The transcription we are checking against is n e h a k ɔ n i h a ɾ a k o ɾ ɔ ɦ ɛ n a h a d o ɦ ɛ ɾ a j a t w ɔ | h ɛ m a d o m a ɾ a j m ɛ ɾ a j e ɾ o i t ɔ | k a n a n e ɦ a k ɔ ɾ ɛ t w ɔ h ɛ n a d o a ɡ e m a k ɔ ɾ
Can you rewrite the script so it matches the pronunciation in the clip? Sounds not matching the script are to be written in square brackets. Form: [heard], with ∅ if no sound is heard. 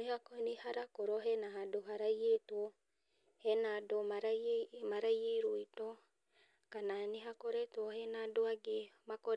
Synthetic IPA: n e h a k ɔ n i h a ɾ a k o ɾ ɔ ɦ ɛ n a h a d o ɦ [a] ɾ a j [e] t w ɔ | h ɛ [n] a d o m a ɾ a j m [a] ɾ a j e ɾ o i t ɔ | k a n a n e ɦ a k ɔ ɾ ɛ t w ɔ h ɛ n a d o a ɡ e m a k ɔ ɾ